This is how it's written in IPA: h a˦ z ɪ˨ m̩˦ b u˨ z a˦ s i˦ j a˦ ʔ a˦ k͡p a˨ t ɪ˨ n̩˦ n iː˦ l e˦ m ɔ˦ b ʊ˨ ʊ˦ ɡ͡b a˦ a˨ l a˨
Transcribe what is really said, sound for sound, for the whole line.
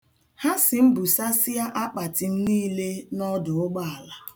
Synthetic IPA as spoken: h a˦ s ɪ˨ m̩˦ b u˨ s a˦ s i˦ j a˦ ʔ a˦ k͡p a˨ t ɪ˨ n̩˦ n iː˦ l e˦ n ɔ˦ d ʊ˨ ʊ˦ ɡ͡b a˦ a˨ l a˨